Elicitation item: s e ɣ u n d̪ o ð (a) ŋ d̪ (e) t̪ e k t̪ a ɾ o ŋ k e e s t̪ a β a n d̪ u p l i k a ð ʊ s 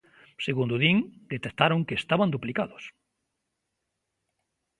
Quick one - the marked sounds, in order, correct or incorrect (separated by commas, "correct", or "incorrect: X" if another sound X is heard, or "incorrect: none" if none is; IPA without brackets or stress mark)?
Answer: incorrect: i, correct